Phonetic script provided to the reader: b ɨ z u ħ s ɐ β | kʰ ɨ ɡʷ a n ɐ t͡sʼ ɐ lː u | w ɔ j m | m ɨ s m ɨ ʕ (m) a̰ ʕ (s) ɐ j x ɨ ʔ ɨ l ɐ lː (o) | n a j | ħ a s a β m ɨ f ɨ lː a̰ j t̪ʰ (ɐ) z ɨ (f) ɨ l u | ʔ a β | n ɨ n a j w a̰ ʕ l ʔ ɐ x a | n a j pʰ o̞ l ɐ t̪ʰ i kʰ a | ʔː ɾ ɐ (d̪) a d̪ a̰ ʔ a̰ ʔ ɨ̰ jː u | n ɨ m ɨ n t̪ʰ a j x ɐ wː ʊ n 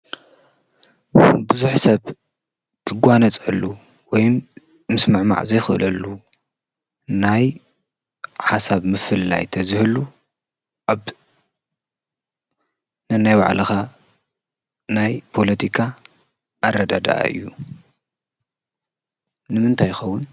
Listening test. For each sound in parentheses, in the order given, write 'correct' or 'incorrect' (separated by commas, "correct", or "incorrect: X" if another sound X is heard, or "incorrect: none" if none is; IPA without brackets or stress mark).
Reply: correct, incorrect: z, incorrect: u, correct, incorrect: h, correct